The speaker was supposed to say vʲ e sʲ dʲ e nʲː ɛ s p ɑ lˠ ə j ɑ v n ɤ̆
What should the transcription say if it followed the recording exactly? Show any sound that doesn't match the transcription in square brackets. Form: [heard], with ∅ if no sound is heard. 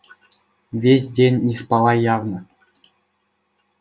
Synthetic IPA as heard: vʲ e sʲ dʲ e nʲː [i] s p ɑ lˠ [ɑ] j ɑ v n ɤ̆